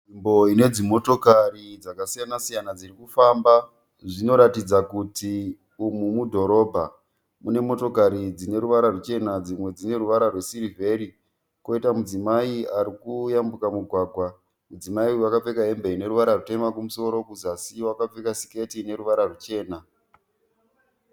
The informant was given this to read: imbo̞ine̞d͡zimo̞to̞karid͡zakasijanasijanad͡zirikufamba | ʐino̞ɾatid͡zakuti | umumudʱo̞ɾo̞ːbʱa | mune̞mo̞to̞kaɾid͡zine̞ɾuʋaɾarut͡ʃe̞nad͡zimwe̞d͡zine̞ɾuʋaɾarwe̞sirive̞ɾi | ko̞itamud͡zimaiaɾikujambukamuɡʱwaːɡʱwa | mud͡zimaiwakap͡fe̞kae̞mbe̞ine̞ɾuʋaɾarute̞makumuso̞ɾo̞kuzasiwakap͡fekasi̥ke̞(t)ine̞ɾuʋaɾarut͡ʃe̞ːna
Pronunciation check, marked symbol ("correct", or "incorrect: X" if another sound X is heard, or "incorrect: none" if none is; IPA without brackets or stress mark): correct